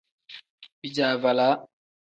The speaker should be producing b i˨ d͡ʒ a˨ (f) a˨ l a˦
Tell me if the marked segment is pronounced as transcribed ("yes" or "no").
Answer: no